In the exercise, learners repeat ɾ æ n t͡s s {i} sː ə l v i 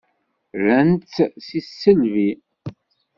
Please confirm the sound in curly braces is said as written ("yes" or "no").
yes